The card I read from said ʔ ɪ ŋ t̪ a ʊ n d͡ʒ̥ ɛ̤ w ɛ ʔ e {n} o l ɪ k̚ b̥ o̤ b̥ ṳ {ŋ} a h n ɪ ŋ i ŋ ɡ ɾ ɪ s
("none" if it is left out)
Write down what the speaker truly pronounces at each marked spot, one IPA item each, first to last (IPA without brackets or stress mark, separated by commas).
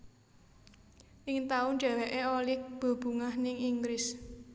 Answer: none, ŋ